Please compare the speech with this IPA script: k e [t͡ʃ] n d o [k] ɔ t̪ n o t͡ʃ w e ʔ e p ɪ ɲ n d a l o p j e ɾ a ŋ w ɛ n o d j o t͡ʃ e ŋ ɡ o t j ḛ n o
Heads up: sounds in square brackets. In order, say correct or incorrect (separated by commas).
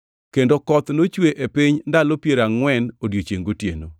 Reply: incorrect, correct